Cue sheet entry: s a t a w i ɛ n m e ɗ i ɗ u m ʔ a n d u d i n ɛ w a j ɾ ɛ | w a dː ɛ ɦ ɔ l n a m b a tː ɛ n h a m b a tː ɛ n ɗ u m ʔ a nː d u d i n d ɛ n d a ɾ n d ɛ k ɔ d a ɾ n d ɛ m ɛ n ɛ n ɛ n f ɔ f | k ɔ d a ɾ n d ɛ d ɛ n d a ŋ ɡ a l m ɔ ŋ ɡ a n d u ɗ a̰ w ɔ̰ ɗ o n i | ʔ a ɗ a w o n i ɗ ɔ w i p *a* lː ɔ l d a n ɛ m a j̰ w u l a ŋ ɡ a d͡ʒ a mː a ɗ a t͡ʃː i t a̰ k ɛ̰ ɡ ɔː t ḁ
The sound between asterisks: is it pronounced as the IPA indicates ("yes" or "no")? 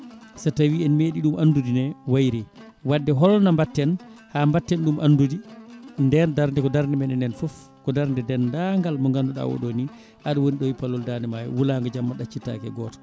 yes